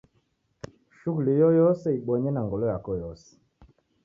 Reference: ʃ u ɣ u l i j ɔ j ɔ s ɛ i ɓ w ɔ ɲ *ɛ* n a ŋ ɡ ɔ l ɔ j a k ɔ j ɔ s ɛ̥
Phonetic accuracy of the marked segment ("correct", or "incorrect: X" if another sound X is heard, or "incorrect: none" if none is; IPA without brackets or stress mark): correct